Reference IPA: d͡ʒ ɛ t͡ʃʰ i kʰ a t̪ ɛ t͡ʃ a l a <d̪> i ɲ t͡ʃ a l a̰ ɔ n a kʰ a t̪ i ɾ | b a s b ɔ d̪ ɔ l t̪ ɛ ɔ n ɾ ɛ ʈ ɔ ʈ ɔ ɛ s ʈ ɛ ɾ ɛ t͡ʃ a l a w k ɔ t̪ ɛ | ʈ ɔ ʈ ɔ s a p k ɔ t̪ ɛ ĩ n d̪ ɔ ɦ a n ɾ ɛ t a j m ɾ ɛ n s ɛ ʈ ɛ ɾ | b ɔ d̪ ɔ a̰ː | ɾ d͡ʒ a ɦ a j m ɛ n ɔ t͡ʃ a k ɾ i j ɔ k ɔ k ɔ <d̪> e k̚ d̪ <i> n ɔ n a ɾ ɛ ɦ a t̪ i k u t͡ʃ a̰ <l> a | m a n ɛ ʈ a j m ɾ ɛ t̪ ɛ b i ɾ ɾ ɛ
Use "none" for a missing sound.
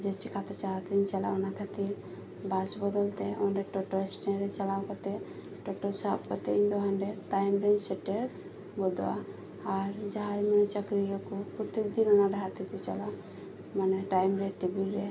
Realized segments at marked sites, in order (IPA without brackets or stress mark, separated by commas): t̪, t̪, i, l